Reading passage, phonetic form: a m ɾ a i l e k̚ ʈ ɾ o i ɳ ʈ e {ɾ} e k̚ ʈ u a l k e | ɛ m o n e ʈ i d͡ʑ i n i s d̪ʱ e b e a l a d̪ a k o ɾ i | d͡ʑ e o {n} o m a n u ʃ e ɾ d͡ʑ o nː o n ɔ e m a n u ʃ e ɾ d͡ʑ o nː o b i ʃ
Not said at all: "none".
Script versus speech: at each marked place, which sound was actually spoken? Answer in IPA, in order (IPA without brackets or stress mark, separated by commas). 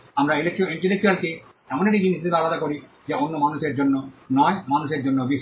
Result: l, nː